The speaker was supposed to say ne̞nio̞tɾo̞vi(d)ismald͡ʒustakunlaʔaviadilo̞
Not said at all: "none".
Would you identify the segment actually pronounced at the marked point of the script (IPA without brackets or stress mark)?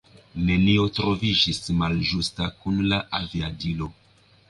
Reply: d͡ʒ